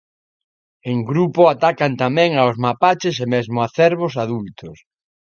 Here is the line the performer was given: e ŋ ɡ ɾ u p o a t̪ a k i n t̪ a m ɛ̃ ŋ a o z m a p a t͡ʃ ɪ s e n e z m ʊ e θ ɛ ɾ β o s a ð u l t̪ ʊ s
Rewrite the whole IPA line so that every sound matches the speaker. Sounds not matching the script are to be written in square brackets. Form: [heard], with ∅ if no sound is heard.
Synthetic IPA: e ŋ ɡ ɾ u p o a t̪ a k [a] n t̪ a m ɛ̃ ŋ a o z m a p a t͡ʃ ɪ s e [m] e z m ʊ [a] θ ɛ ɾ β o s a ð u l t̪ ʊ s